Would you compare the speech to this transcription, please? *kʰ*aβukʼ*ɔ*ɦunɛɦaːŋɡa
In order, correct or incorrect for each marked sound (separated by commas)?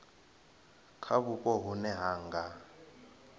correct, correct